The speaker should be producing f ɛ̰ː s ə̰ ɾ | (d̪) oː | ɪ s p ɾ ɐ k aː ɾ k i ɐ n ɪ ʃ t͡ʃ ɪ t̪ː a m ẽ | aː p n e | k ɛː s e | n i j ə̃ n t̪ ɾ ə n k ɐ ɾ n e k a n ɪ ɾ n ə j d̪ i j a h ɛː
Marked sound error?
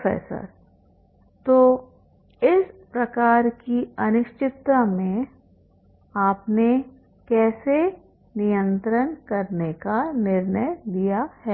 yes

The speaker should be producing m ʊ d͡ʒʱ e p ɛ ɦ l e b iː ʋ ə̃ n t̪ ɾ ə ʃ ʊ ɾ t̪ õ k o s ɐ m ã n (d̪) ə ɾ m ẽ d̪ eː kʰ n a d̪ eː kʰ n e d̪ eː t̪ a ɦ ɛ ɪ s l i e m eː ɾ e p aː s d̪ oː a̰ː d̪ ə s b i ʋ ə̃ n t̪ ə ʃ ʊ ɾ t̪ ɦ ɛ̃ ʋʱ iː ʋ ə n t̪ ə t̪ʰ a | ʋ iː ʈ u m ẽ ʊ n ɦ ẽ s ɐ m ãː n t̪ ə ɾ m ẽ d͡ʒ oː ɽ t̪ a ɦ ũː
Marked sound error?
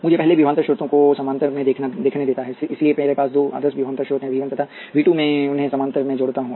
yes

